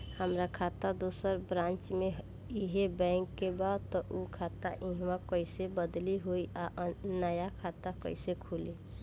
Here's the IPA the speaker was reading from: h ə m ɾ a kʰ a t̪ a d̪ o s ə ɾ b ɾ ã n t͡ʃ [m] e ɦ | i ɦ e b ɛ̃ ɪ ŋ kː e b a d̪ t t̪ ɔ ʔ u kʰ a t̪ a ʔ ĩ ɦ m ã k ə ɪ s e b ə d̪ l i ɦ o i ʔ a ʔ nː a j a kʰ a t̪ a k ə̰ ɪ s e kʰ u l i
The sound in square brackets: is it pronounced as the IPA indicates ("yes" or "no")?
yes